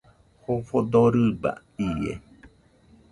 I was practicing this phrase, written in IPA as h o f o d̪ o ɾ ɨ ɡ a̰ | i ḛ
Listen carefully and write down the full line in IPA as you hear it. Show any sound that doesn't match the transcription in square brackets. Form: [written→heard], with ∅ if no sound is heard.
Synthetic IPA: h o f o d̪ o ɾ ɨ [ɡ→b] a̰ | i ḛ